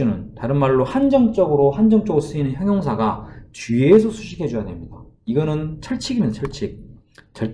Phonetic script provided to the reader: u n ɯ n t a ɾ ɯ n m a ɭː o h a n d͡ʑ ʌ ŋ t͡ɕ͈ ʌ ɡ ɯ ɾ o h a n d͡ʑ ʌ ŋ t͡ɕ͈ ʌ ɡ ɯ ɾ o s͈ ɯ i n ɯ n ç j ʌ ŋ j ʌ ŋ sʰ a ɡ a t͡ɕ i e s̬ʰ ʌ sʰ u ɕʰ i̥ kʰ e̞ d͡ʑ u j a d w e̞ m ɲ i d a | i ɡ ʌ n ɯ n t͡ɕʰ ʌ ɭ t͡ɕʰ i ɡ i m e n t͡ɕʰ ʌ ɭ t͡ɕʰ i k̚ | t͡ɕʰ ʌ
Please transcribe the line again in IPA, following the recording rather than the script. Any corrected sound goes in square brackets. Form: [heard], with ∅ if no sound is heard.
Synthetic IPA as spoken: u n ɯ n t a ɾ ɯ n m a ɭː o h a n d͡ʑ ʌ ŋ t͡ɕ͈ ʌ ɡ ɯ ɾ o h a n d͡ʑ ʌ ŋ t͡ɕ͈ ʌ ɡ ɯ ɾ o s͈ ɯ i n ɯ n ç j ʌ ŋ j ʌ ŋ sʰ a ɡ a t͡ɕ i e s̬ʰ ʌ sʰ u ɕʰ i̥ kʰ e̞ d͡ʑ u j a d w e̞ m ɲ i d a | i ɡ ʌ n ɯ n t͡ɕʰ ʌ ɭ t͡ɕʰ i ɡ i m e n t͡ɕʰ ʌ ɭ t͡ɕʰ i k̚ | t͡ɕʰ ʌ